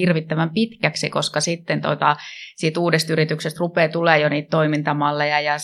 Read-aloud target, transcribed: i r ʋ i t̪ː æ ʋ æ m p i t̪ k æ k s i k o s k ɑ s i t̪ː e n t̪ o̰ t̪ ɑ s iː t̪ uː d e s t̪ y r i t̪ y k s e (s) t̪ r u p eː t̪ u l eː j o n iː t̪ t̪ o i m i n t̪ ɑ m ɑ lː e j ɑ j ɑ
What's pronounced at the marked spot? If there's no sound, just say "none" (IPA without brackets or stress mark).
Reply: s